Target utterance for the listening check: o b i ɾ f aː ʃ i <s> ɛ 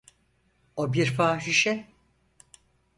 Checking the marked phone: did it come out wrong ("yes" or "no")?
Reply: yes